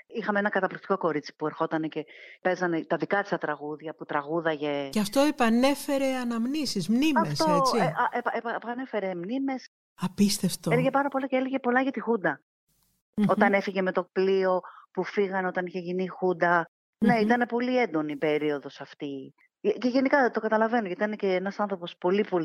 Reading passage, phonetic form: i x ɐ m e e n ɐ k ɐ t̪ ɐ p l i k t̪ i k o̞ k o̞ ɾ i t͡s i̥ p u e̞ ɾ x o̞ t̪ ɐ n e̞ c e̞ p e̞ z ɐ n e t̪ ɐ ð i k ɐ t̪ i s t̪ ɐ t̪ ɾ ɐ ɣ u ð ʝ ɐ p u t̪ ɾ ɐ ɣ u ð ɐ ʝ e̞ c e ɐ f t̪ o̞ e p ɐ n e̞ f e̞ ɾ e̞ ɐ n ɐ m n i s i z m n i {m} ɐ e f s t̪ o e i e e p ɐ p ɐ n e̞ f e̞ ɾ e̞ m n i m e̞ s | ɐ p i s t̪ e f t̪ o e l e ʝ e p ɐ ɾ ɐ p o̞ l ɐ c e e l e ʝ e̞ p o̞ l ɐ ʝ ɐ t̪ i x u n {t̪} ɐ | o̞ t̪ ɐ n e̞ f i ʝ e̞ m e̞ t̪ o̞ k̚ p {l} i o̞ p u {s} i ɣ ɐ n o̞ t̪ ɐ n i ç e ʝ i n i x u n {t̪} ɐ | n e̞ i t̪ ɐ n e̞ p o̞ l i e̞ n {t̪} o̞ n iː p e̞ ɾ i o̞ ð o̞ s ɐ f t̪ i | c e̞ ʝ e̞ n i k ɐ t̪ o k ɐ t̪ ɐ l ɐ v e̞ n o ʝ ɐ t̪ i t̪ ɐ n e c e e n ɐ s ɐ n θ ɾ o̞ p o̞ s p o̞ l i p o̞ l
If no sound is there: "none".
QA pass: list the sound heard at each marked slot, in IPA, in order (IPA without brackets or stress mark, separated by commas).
m, d̪, l, f, d̪, d̪